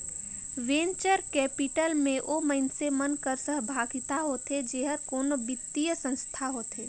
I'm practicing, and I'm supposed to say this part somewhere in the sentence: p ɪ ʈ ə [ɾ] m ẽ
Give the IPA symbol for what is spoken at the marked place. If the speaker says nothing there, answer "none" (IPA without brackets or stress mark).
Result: l